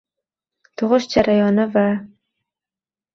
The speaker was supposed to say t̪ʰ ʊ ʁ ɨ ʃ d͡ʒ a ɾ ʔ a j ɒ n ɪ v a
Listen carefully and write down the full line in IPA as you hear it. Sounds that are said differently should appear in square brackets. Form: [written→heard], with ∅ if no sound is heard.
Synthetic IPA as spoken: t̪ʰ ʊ ʁ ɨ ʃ d͡ʒ a ɾ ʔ a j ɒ n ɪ v a